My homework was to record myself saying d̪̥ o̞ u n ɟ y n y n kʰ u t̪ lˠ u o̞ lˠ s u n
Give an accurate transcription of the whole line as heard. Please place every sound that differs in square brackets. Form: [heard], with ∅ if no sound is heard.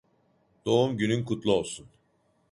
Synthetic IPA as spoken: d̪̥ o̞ u [m] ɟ y n y n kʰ u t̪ lˠ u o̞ lˠ s u n